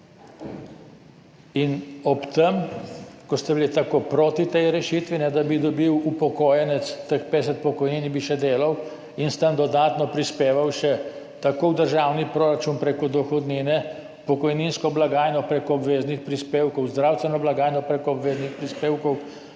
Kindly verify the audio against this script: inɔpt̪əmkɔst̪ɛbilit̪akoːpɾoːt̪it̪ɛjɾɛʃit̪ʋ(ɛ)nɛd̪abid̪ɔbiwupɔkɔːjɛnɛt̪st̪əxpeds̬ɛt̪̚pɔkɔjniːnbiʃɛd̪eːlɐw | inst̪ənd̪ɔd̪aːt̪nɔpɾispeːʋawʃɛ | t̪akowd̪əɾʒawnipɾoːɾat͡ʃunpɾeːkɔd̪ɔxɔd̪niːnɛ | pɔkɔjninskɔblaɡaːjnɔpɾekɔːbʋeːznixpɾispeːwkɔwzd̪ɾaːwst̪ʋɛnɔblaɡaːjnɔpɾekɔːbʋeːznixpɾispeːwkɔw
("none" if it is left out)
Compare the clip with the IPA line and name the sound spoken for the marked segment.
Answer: i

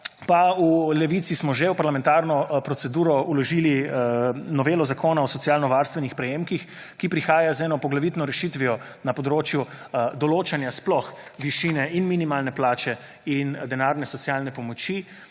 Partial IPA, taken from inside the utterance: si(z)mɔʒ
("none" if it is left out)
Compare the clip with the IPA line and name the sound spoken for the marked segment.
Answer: s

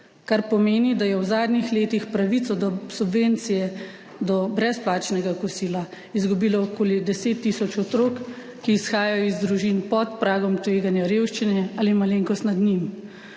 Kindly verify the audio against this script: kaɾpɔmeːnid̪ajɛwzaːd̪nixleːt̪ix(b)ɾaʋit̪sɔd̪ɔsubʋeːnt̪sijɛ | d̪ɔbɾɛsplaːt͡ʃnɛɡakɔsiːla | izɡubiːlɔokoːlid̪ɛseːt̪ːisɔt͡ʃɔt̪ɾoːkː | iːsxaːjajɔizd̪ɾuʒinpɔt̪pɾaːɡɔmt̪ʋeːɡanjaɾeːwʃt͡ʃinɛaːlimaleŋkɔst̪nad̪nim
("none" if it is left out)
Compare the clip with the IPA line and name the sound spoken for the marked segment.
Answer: p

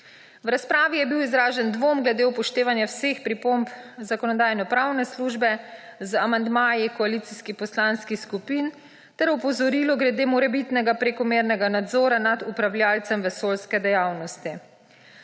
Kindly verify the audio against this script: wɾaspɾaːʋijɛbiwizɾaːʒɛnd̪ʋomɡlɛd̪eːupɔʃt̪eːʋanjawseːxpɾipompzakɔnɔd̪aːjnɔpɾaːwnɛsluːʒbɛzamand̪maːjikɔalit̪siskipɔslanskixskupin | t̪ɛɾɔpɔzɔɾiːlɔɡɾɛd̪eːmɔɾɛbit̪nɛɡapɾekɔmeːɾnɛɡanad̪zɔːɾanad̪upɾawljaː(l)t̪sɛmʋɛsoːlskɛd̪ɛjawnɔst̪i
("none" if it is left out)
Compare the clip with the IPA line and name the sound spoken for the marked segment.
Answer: l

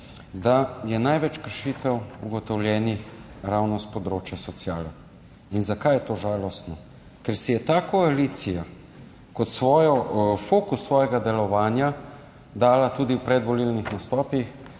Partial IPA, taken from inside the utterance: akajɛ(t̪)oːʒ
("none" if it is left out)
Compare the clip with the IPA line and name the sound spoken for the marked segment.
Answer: t̪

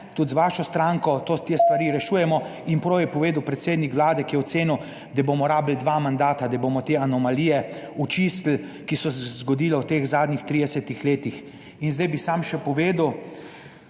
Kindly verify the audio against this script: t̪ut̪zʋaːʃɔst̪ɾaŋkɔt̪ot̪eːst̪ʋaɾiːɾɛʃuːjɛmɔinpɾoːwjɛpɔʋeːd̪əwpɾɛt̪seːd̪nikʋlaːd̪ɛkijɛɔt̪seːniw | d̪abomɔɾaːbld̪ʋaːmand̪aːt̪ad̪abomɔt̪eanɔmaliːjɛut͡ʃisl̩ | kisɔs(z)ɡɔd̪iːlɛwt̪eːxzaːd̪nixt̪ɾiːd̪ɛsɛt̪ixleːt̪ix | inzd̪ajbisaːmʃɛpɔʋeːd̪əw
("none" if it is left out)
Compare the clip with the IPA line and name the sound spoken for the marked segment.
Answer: z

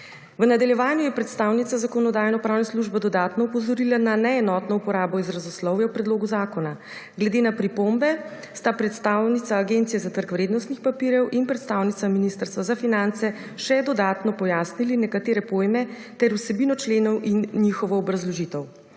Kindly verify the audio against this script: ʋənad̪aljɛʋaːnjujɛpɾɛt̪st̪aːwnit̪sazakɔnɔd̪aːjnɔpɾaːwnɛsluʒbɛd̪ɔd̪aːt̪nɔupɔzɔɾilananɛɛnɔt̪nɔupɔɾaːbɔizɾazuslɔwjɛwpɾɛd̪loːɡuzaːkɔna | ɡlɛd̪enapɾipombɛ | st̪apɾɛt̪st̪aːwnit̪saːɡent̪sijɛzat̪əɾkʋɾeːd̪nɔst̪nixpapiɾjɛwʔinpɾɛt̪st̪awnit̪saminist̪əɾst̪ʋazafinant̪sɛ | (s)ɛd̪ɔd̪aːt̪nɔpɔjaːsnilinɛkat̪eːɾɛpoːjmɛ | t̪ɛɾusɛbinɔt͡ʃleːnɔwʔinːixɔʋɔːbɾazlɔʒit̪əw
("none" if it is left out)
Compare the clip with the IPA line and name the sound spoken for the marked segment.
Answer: ʃ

